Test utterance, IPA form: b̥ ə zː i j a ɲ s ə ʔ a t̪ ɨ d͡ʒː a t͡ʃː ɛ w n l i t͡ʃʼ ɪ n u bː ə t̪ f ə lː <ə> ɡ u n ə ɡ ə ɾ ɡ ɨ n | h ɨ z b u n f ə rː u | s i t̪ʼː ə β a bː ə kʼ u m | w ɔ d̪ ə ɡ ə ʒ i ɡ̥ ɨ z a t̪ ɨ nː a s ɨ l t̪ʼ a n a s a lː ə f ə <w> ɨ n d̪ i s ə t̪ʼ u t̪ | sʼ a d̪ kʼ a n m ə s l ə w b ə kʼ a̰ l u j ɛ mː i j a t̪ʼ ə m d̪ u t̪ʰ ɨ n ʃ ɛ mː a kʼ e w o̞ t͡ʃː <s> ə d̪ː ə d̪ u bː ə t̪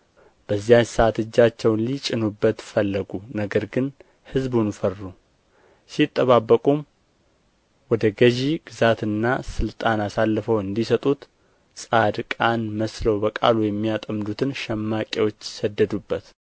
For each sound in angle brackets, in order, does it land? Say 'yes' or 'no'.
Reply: yes, yes, yes

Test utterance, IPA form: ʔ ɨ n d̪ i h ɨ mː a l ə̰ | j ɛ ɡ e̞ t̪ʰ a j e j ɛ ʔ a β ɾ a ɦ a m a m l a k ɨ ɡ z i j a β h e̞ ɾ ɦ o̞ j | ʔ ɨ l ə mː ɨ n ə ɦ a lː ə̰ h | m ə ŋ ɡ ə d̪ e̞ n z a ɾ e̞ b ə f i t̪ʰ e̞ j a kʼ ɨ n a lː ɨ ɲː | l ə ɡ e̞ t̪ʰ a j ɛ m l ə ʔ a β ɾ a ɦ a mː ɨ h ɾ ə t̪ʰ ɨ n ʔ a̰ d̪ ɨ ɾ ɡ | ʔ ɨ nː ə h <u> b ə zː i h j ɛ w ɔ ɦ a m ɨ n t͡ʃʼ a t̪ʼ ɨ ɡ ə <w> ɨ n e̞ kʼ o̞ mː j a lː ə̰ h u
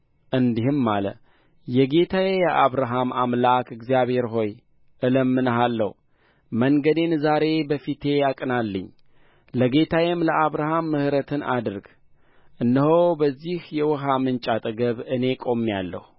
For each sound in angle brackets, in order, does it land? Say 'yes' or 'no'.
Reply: no, no

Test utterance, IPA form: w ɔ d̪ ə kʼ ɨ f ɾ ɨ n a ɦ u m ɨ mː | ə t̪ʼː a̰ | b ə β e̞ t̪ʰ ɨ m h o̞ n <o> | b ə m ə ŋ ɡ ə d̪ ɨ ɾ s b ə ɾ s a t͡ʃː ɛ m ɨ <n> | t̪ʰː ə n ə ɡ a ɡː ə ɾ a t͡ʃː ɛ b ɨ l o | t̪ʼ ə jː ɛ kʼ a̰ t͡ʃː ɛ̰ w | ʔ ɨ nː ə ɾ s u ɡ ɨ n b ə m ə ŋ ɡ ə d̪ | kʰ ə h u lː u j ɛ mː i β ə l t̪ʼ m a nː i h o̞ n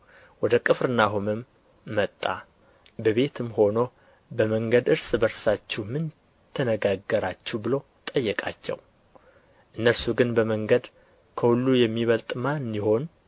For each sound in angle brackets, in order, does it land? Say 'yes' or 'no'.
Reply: yes, yes

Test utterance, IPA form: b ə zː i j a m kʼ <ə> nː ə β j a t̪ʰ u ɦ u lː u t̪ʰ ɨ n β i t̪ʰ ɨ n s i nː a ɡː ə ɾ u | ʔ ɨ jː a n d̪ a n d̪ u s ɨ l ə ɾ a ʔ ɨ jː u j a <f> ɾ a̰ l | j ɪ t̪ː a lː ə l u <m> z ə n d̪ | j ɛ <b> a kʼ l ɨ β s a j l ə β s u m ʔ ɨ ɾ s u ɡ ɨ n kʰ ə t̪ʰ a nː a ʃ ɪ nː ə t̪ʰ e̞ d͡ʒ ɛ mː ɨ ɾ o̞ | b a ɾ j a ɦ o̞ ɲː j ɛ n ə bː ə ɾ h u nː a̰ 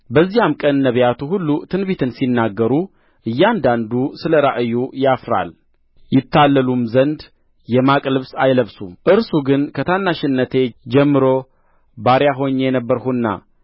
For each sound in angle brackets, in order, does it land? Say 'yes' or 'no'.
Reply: yes, yes, yes, no

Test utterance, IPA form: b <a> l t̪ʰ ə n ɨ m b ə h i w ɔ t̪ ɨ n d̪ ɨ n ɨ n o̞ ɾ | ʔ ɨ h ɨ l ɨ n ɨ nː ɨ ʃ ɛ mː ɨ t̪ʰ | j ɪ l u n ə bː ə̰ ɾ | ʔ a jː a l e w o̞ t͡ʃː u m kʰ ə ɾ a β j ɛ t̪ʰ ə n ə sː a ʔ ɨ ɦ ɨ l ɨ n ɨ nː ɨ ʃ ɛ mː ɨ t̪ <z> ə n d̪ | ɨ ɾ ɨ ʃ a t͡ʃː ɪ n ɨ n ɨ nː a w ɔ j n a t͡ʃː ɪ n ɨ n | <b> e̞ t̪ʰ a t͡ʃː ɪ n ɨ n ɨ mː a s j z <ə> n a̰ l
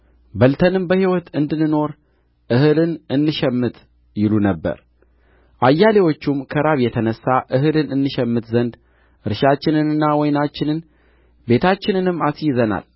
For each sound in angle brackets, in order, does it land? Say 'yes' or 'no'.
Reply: no, yes, yes, yes

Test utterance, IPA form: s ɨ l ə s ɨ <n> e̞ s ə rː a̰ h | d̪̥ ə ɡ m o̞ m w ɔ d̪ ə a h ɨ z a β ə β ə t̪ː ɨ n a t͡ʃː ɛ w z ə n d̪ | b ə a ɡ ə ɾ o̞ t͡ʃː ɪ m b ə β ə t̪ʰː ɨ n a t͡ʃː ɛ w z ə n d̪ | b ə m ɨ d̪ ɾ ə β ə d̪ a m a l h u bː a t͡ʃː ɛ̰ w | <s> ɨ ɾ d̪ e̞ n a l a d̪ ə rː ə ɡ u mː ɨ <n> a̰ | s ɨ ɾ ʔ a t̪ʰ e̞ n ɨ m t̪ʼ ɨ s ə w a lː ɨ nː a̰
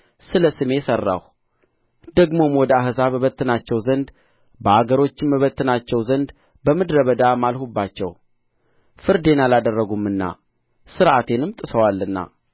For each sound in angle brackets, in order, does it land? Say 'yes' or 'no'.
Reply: no, no, no

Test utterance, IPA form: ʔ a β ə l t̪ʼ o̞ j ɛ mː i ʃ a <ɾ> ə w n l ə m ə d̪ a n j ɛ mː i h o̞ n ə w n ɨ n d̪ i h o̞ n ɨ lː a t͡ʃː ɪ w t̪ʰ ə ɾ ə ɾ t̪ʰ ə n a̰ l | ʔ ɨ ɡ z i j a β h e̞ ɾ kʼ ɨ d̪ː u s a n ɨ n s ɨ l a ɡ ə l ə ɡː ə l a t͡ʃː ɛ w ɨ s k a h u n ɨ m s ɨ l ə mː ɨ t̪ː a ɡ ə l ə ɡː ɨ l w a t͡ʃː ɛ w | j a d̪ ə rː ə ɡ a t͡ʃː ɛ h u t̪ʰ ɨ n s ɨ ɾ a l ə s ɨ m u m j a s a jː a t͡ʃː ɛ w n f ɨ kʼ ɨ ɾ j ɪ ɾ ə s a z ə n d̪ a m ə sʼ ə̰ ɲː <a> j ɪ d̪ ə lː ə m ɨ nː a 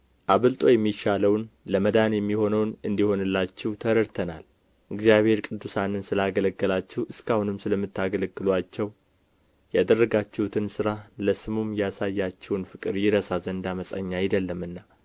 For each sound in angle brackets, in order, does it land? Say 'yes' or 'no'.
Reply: no, yes

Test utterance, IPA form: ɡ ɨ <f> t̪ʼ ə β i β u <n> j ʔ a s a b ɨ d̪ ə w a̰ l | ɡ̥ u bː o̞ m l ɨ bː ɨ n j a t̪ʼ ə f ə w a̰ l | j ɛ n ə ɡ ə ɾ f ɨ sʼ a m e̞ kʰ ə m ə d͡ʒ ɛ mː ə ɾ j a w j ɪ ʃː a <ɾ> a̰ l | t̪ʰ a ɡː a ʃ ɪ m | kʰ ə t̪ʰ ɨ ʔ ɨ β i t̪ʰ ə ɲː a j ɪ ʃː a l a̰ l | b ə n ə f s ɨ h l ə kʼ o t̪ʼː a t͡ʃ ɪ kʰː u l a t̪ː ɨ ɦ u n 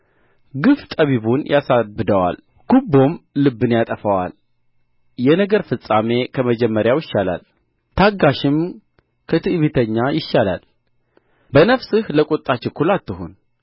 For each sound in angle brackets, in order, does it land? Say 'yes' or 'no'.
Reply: yes, yes, no

